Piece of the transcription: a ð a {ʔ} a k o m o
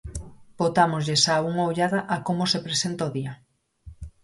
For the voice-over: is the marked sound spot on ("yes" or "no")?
yes